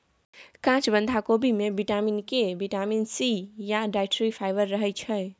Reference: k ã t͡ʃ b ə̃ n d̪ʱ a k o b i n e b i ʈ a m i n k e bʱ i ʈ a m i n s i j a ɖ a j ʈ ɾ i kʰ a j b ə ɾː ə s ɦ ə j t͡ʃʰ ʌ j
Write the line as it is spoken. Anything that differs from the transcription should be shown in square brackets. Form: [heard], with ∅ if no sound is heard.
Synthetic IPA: k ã t͡ʃ b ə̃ n d̪ʱ a k o b i [m] e b i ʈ a m i n k e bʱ i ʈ a m i n s i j a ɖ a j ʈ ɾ i [pʰ] a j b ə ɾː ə [∅] ɦ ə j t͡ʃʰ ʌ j